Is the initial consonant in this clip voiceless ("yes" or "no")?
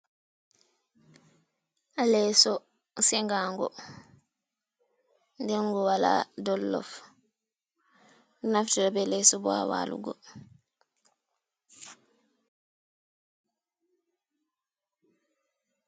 no